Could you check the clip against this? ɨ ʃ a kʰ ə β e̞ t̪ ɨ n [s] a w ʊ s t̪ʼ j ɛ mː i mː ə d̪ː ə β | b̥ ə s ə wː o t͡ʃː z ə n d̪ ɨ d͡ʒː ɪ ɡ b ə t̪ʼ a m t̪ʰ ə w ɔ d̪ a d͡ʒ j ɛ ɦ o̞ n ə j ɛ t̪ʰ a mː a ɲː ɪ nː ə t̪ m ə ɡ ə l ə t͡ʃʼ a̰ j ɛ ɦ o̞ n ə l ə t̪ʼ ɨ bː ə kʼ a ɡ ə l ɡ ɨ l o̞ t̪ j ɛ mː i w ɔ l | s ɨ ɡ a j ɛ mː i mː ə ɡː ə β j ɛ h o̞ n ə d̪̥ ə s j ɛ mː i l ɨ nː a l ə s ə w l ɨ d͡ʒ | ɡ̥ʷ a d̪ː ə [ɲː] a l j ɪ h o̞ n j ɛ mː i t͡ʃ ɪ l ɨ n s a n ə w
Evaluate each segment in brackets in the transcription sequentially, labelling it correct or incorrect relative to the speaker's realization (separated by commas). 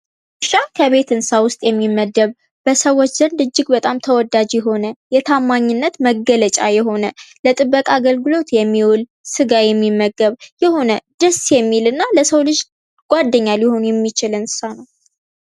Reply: correct, correct